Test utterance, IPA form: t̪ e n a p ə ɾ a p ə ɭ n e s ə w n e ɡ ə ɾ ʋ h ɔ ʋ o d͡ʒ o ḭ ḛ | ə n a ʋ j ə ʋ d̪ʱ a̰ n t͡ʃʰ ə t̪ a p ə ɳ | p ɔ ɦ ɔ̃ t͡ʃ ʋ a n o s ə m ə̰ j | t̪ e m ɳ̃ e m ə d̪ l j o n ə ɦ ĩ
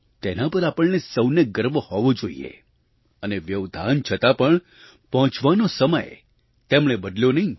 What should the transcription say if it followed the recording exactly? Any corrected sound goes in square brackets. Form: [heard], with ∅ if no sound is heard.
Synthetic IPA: t̪ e n a p ə ɾ a p ə ɭ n e s ə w n e ɡ ə ɾ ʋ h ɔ ʋ o d͡ʒ o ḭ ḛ | ə n [e] ʋ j ə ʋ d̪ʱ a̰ n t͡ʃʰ ə t̪ a p ə ɳ | p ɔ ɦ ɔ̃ t͡ʃ ʋ a n o s ə m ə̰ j | t̪ e m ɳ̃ e [b] ə d̪ l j o n ə ɦ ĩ